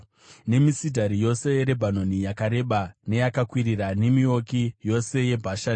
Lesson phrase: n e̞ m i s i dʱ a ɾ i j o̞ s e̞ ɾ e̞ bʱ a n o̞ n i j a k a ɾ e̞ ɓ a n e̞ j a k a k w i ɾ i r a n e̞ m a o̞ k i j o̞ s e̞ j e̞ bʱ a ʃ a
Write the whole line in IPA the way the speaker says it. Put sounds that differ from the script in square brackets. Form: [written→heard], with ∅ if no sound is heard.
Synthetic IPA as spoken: n e̞ m i s i dʱ a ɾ i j o̞ s e̞ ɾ e̞ bʱ a n o̞ n i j a k a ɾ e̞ ɓ a n e̞ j a k a k w i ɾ i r a n e̞ m [a→i] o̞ k i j o̞ s e̞ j e̞ bʱ a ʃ a